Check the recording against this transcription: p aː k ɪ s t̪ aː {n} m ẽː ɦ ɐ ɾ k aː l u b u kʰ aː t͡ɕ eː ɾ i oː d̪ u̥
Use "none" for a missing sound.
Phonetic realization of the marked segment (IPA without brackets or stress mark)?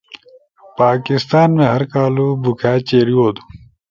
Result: n